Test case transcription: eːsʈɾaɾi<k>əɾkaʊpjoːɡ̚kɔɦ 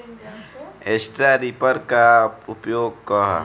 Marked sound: incorrect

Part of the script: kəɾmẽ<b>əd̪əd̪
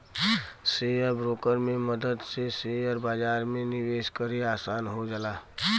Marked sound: incorrect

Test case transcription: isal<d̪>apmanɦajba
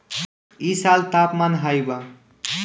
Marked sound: incorrect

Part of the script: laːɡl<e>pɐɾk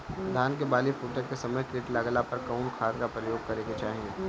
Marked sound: incorrect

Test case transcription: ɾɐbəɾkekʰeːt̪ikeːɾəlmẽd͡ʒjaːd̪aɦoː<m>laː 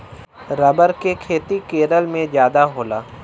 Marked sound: incorrect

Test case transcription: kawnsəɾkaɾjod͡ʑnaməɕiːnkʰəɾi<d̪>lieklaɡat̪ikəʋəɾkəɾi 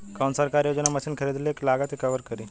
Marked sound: correct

